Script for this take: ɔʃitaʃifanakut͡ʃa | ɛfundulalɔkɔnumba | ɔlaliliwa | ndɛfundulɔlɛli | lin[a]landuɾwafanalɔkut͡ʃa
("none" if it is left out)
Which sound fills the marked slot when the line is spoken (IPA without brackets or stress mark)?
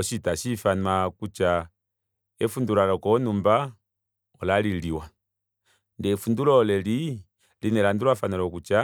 ɛ